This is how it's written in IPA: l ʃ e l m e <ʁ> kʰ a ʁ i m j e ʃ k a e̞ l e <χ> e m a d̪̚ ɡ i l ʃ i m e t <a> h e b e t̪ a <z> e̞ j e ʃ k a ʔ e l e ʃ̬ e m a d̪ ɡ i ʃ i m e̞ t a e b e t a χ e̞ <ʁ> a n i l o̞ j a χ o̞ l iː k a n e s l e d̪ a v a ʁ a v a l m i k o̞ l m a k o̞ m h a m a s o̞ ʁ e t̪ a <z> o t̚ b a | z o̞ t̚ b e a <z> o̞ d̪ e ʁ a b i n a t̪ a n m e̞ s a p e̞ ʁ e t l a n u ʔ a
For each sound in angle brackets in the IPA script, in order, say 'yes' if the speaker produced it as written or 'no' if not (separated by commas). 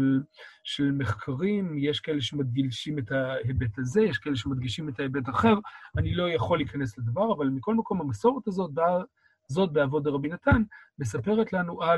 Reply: no, no, yes, yes, yes, yes, no